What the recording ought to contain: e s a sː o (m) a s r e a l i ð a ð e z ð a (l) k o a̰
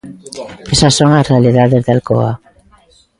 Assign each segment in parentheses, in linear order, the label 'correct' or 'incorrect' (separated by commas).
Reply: incorrect, correct